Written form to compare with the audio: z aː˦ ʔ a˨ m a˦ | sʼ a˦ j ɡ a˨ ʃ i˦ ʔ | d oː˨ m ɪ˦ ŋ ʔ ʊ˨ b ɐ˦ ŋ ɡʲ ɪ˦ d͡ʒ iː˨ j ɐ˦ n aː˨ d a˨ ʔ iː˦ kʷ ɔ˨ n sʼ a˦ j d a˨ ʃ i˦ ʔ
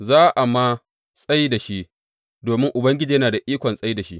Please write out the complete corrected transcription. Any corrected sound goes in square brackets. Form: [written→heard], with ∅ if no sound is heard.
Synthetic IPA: z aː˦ ʔ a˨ m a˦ | sʼ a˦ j [ɡ→d] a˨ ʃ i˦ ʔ | d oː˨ m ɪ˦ ŋ ʔ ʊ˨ b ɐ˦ ŋ ɡʲ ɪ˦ d͡ʒ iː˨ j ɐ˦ n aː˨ d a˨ ʔ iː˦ kʷ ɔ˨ n sʼ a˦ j d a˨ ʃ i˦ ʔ